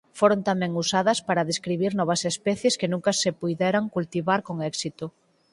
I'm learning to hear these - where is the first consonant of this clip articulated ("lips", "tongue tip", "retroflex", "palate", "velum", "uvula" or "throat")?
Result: lips